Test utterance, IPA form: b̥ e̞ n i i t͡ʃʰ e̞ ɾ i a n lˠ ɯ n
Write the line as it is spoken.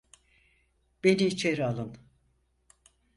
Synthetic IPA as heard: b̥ e̞ n i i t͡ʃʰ e̞ ɾ i a lˠ ɯ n